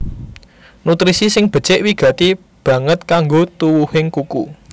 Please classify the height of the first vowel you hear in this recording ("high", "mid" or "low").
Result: high